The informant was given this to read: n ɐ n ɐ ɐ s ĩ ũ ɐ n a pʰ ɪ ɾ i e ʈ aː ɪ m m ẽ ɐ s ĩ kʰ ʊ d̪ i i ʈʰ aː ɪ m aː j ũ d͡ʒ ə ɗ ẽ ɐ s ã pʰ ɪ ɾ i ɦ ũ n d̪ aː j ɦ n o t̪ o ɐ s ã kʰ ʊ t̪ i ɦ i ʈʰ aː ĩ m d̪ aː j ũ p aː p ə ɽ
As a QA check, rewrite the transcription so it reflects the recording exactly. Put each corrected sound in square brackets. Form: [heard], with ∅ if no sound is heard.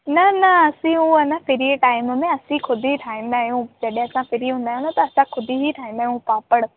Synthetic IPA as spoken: n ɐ n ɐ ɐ s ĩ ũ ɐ n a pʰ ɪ ɾ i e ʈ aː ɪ m m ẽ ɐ s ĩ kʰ ʊ d̪ i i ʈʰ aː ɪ m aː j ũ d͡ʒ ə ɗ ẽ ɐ s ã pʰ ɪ ɾ i ɦ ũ n d̪ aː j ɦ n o t̪ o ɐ s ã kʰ ʊ [d̪] i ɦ i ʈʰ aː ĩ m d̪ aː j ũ p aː p ə ɽ